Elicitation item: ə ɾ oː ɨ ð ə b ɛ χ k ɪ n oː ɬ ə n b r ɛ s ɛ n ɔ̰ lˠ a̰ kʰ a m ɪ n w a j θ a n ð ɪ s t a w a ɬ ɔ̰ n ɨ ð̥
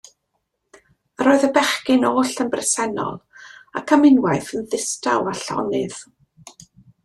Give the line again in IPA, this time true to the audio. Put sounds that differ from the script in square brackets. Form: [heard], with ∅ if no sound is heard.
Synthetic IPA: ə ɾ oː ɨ ð ə b ɛ χ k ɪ n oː ɬ ə n b r ɛ s ɛ n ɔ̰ lˠ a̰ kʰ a m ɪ n w a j θ [ə] n ð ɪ s t a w a ɬ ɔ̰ n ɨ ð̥